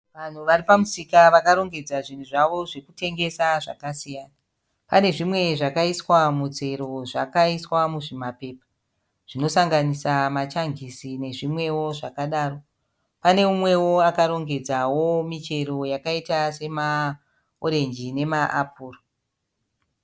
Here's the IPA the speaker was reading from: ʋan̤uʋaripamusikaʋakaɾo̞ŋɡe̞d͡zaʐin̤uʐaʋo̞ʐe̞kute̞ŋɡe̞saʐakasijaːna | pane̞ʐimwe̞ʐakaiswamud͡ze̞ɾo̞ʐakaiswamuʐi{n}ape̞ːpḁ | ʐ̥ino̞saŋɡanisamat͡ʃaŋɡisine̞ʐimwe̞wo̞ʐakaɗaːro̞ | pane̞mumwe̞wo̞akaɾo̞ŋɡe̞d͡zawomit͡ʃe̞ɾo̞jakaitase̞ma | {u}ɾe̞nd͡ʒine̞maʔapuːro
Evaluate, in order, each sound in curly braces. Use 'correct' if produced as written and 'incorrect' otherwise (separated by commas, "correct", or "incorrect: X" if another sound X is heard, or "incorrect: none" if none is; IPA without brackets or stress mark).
incorrect: m, incorrect: o